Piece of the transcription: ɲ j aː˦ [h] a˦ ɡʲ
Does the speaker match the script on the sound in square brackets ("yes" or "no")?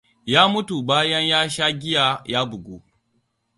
no